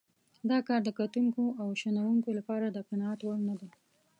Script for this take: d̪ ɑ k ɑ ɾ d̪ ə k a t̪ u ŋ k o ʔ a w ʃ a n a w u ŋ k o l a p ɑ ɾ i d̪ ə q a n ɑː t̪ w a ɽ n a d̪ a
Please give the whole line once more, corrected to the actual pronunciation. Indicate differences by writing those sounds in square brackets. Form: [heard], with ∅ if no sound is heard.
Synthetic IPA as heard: d̪ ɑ k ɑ ɾ d̪ ə k a t̪ u ŋ k o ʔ a w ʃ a n a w u ŋ k o l a p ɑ ɾ [a] d̪ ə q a n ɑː t̪ w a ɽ n a d̪ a

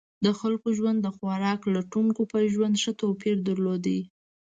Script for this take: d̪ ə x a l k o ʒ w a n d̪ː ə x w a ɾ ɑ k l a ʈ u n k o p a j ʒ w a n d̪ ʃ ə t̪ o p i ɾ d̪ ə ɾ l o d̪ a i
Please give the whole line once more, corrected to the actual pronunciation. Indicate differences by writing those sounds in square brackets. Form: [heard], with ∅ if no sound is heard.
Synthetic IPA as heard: d̪ ə x a l k o ʒ w a n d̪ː ə x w a ɾ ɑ k l a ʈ u [ŋ] k o p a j ʒ w a n d̪ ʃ ə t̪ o p i ɾ d̪ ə ɾ l o d̪ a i

